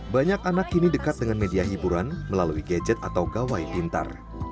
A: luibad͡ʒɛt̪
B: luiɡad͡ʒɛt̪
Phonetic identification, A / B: B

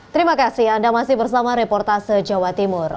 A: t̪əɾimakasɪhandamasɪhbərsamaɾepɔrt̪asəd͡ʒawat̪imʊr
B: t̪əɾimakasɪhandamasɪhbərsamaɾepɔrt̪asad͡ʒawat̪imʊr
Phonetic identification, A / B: A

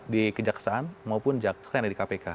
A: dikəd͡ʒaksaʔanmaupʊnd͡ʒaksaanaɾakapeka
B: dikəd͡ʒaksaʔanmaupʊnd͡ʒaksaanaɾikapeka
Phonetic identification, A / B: B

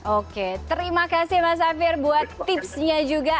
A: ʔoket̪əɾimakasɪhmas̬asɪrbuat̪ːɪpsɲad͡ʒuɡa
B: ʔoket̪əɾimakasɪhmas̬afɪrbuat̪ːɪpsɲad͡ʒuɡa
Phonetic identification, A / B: B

